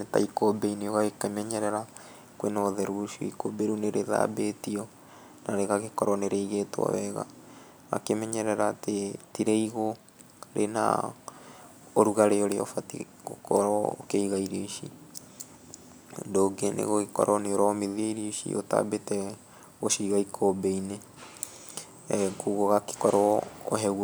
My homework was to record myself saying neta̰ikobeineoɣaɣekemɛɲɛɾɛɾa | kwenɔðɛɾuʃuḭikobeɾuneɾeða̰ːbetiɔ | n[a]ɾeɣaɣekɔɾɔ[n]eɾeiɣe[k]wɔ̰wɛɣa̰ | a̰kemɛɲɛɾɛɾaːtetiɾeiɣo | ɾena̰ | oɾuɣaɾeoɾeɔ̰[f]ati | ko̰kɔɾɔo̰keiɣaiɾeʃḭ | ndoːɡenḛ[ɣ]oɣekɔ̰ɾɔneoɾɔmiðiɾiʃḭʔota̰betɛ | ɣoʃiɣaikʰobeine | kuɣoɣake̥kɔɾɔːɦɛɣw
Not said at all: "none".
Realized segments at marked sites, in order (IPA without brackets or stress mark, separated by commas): a, n, t, f, ɣ